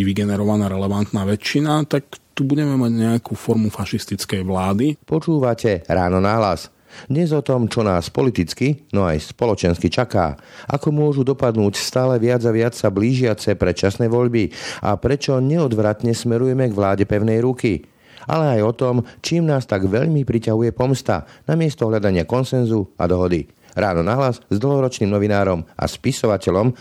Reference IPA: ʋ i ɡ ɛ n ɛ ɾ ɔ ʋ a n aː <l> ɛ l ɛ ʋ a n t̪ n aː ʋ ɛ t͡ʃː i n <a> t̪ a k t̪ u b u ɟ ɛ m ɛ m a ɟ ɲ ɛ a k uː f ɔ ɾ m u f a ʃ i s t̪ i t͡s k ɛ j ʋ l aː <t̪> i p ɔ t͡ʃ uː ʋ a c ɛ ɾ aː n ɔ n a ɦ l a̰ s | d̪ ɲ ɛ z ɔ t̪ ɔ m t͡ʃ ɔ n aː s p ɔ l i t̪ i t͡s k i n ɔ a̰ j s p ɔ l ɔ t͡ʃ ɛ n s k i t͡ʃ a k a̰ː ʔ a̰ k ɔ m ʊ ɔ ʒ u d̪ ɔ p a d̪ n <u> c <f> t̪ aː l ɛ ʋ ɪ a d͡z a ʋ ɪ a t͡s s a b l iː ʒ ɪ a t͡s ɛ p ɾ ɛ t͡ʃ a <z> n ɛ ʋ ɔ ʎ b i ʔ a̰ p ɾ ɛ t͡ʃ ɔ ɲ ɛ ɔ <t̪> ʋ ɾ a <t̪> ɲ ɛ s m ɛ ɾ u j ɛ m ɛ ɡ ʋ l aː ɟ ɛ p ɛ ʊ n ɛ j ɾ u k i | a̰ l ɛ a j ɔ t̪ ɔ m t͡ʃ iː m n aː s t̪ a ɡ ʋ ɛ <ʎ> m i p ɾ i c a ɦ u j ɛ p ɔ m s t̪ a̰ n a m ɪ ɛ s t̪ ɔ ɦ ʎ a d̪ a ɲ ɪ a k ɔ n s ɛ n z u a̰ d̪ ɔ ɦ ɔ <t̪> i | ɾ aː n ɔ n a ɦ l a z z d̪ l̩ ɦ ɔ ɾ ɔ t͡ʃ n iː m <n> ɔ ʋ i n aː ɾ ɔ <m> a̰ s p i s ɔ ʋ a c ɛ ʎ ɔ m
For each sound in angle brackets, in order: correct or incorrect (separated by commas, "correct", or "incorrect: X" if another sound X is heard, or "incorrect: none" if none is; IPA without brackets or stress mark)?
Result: incorrect: ɾ, correct, incorrect: d̪, incorrect: uː, incorrect: s, incorrect: s, incorrect: d̪, correct, correct, incorrect: d̪, correct, correct